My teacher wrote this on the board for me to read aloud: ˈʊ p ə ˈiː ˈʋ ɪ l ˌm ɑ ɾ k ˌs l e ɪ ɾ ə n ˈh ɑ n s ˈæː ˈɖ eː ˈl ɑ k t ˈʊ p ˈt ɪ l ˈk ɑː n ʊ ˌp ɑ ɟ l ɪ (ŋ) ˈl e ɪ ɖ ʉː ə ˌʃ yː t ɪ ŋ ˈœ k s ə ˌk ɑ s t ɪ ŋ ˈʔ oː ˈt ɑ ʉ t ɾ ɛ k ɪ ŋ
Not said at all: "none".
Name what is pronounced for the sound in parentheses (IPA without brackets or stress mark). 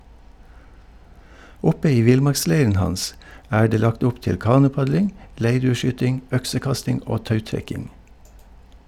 ŋ